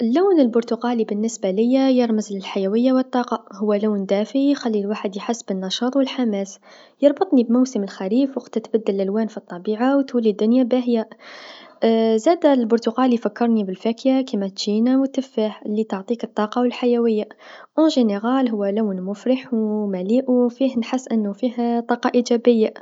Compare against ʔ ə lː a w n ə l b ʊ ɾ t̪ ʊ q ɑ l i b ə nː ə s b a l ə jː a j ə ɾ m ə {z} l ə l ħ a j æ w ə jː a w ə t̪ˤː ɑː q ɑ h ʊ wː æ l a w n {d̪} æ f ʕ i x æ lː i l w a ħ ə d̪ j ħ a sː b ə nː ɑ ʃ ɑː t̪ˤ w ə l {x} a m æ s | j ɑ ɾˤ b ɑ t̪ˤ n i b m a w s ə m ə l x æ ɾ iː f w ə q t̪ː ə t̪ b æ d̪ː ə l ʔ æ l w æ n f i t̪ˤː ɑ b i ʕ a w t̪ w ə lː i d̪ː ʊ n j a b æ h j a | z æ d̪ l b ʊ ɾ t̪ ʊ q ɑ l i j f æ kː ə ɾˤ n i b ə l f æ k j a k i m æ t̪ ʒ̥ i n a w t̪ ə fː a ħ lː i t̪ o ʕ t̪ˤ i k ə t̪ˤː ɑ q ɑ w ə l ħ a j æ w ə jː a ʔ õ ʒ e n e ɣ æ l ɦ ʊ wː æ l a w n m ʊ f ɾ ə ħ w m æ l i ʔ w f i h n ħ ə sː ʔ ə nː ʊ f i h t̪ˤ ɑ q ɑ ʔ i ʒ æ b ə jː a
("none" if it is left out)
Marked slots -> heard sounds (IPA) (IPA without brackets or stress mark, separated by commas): z, d̪, ħ